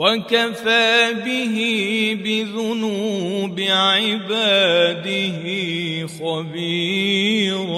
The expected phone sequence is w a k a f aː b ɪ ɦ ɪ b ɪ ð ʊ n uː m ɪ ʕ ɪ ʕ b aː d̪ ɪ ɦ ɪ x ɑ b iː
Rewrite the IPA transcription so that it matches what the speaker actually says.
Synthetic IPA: w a k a f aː b ɪ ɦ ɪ b ɪ ð ʊ n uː b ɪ ʕ ɪ b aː d̪ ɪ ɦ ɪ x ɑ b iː